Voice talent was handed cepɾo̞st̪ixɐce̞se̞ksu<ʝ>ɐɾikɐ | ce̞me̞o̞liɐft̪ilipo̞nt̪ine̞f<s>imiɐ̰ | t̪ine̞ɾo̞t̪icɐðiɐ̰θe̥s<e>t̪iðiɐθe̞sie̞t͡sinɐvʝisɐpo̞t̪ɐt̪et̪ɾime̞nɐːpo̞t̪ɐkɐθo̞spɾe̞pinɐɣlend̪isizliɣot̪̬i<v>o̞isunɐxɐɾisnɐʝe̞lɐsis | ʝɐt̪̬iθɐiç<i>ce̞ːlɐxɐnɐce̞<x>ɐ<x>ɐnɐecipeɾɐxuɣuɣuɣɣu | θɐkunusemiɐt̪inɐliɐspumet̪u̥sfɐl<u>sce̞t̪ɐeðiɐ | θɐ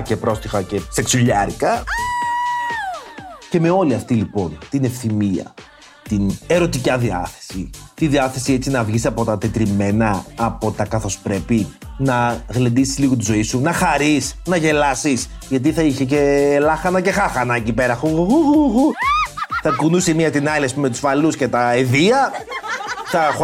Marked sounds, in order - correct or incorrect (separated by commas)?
incorrect, incorrect, incorrect, incorrect, incorrect, correct, correct, correct